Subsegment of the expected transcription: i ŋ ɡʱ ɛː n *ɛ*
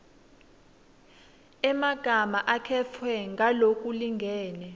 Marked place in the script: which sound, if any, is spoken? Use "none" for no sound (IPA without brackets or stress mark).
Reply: ɛ